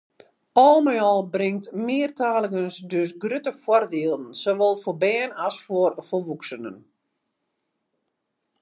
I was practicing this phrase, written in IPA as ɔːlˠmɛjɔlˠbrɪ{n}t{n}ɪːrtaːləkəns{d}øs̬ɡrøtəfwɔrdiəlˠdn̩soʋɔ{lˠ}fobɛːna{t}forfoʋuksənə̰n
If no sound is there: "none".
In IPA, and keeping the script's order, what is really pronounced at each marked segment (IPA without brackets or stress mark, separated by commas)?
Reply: ŋ, m, d, lˠ, s